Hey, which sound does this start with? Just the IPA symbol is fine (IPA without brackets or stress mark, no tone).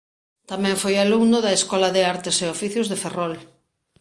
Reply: t̪